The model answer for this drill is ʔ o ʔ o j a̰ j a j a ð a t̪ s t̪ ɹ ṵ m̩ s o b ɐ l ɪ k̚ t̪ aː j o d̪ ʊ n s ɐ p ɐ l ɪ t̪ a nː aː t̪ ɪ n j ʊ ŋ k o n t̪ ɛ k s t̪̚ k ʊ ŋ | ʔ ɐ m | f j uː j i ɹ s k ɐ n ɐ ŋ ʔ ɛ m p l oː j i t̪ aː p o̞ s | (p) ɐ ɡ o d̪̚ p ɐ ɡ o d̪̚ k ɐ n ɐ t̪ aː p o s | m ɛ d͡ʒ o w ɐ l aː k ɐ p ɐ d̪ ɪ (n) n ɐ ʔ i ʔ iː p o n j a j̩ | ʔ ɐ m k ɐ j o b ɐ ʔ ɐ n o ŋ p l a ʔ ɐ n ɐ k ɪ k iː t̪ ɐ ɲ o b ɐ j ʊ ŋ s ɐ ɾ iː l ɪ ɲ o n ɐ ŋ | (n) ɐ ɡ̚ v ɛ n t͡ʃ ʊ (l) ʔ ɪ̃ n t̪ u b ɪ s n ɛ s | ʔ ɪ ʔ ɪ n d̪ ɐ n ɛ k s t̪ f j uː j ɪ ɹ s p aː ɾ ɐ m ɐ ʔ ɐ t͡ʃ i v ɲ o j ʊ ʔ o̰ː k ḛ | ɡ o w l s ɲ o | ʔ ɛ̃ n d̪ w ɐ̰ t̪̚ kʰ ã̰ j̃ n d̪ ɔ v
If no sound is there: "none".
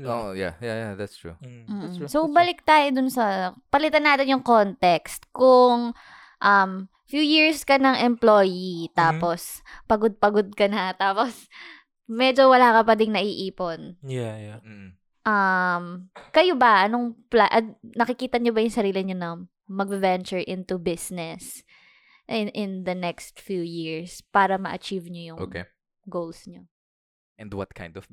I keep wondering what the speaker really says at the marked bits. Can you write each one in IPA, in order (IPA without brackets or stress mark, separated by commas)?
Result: p, ŋ, m, ɹ